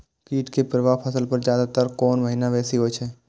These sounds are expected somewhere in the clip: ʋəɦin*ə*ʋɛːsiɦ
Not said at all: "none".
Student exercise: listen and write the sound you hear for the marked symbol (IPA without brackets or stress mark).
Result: a